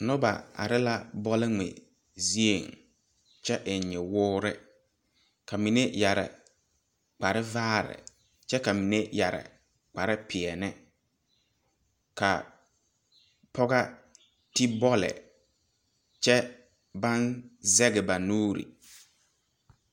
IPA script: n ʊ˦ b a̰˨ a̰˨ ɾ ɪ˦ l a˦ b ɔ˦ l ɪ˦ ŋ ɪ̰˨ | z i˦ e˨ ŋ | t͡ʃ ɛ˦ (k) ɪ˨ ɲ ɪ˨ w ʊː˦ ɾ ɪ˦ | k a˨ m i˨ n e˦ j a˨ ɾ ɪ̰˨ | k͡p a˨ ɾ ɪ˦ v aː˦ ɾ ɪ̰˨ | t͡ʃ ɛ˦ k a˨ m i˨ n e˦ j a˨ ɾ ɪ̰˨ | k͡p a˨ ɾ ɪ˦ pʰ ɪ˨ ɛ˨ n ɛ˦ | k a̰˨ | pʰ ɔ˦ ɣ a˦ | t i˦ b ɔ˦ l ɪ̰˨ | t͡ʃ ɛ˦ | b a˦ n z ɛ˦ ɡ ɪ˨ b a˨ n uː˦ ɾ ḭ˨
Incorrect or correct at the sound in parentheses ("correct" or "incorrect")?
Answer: incorrect